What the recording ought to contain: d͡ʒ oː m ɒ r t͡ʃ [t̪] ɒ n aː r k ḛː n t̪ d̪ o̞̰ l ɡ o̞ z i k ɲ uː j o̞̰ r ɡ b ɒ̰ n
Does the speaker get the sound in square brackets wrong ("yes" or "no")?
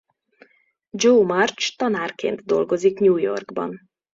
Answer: no